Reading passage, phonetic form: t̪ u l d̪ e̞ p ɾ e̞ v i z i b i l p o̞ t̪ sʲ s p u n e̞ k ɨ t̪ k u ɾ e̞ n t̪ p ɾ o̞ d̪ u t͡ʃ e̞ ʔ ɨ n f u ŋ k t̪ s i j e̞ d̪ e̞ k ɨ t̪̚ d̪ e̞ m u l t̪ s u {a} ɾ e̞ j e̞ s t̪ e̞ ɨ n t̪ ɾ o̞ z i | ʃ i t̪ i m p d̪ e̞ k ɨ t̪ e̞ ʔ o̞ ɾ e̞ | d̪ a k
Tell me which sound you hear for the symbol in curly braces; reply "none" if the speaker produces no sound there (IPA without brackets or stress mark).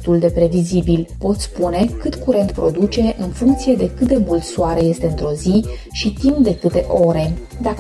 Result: a